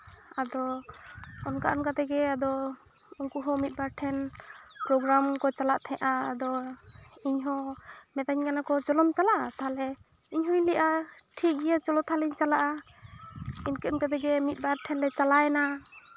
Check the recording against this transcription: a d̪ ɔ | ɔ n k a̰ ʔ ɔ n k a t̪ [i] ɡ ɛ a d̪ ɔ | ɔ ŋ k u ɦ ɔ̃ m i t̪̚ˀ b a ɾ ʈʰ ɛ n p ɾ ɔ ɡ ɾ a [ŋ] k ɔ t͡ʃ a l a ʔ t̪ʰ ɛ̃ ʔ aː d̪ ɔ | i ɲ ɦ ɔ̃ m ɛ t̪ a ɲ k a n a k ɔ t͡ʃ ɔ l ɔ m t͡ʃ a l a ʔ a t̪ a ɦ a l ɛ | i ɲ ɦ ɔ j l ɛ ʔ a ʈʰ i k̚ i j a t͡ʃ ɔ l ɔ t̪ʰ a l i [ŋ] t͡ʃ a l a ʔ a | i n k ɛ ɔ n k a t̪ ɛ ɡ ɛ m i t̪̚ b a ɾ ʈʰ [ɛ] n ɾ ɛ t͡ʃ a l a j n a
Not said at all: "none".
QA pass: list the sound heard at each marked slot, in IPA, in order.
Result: ɛ, m, ɲ, ɛ

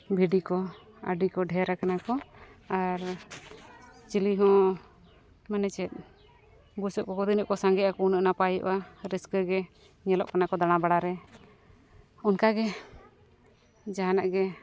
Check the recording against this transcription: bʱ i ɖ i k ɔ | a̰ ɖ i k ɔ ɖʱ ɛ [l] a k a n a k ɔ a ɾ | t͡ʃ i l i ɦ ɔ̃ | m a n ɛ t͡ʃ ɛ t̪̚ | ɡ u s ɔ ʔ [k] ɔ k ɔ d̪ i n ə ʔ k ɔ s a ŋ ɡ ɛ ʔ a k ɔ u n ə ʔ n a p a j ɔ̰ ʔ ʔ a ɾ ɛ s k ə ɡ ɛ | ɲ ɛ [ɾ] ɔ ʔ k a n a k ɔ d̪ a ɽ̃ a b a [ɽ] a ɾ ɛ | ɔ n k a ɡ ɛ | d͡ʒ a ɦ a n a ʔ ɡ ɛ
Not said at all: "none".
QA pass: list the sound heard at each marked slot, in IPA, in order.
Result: ɾ, k, l, ɽ

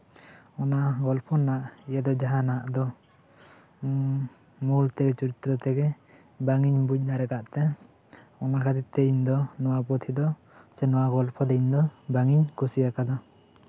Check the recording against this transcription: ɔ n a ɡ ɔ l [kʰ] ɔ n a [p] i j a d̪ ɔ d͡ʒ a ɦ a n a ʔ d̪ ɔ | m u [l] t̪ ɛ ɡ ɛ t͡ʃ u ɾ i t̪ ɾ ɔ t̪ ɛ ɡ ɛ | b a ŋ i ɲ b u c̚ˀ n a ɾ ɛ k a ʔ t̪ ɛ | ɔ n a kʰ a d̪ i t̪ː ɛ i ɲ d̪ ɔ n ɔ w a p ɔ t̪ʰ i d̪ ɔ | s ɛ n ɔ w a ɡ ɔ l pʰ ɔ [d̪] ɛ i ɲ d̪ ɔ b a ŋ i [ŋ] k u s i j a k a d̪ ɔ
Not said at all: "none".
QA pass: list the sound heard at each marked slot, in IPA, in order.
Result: pʰ, ʔ, l, d̪, ɲ

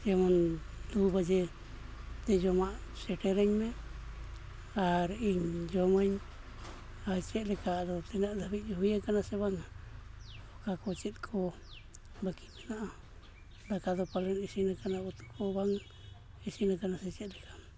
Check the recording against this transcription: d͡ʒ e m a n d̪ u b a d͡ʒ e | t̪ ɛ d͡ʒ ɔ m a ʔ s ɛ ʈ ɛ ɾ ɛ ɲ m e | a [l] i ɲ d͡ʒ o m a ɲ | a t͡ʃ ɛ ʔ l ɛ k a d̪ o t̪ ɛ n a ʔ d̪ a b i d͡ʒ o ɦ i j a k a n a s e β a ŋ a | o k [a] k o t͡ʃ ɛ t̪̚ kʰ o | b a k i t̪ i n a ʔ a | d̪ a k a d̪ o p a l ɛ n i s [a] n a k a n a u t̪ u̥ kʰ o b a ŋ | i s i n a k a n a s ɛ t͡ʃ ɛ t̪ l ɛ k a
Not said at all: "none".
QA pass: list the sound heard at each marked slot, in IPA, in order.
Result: ɾ, a, i

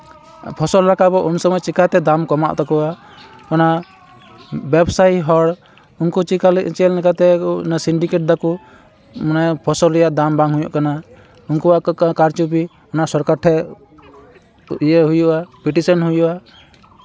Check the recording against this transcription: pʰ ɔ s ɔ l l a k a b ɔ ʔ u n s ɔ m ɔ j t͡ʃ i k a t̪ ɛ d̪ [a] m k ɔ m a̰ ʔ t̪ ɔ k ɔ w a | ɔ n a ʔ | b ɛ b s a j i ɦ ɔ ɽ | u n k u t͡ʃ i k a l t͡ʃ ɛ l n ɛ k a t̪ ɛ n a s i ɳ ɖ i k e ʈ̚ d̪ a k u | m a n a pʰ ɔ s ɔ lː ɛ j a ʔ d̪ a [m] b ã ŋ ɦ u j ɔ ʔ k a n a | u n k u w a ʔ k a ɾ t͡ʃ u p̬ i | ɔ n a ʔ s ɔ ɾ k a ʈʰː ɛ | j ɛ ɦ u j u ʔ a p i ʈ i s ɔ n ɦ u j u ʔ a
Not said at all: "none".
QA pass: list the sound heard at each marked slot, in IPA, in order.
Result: a, m

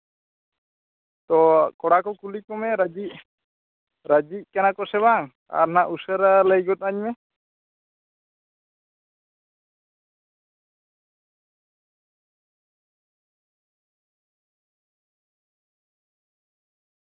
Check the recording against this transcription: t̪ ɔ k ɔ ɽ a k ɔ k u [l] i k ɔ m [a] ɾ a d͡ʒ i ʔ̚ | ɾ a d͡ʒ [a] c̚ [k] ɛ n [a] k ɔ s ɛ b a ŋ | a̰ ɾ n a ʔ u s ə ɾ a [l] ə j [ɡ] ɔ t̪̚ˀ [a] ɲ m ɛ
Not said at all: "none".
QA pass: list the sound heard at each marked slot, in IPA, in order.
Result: l, ɛ, i, k, a, l, ɡ, a

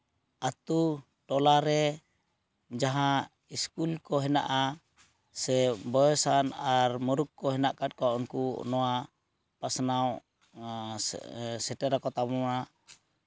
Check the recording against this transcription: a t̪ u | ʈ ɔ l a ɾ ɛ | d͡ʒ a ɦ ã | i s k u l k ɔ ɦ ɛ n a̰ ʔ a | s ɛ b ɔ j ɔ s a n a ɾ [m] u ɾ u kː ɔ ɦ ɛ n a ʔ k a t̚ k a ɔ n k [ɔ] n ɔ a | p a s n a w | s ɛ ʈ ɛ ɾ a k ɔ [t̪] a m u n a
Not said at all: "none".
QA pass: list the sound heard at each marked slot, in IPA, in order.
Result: m, u, t̪

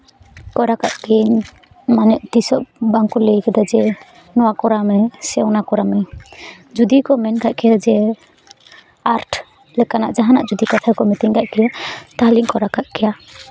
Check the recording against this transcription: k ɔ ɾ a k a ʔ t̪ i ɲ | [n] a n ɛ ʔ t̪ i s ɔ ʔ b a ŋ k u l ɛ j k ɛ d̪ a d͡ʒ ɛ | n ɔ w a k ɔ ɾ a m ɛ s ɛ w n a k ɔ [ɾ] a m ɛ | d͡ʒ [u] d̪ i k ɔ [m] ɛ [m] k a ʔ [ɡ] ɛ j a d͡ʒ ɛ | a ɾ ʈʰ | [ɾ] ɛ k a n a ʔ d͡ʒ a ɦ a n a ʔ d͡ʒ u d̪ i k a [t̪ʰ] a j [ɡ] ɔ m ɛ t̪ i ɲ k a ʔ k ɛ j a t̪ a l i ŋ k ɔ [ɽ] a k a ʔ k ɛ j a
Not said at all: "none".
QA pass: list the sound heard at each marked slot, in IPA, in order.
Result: m, ɾ, u, m, n, k, l, t̪ʰ, k, ɾ

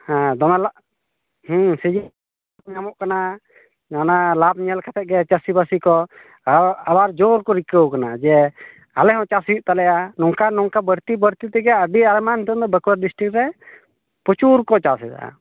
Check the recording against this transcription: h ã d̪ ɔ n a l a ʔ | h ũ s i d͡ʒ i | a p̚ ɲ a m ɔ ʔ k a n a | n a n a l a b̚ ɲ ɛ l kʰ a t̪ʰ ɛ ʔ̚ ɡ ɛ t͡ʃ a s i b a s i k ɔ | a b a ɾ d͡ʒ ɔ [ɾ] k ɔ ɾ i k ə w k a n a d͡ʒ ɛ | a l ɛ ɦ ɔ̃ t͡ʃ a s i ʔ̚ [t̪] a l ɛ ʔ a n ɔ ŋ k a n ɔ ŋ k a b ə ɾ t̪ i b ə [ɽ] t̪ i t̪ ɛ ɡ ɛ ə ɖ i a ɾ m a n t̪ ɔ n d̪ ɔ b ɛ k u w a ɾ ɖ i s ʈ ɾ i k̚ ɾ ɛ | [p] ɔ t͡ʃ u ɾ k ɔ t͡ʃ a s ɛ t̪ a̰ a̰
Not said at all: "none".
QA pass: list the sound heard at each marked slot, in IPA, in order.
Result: ɾ, t̪, ɾ, p

